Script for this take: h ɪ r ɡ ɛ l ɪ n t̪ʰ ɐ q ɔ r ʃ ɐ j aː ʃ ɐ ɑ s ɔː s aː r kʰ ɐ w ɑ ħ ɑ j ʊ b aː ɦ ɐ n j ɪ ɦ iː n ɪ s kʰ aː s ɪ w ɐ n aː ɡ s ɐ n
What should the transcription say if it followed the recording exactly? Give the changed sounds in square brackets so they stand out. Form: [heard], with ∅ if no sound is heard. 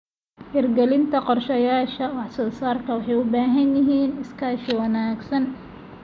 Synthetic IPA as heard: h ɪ r ɡ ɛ l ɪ n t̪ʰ ɐ q ɔ r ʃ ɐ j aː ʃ ɐ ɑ s ɔː s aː r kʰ ɐ w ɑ ħ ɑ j ʊ b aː ɦ ɐ n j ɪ ɦ iː n ɪ s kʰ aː [ʃ] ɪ w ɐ n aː ɡ s ɐ n